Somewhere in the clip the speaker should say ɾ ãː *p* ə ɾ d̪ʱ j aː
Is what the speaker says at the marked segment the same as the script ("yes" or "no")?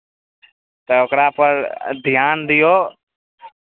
yes